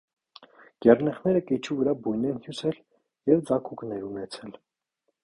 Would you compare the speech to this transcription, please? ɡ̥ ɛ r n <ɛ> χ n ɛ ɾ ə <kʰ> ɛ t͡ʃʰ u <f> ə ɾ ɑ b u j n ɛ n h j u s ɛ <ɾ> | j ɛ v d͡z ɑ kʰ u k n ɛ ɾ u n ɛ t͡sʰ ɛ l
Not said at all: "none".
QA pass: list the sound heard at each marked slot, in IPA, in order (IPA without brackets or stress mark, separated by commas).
ɛ, k, v, l